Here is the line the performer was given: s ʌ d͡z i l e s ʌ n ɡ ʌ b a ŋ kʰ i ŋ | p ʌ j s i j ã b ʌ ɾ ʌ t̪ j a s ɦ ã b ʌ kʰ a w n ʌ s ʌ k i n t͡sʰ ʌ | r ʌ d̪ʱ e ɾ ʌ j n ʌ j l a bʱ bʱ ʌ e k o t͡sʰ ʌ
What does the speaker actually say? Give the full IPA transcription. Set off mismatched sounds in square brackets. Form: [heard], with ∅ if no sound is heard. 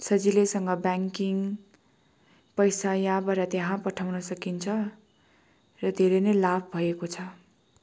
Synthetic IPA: s ʌ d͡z i l e s ʌ [ŋ] ɡ ʌ b a ŋ [k] i ŋ | p ʌ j s [a] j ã b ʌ ɾ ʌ t̪ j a [∅] ɦ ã [p] ʌ [ʈʰ] a w n ʌ s ʌ k i n t͡sʰ ʌ | r ʌ d̪ʱ e ɾ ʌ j n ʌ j l a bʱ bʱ ʌ e k o t͡sʰ ʌ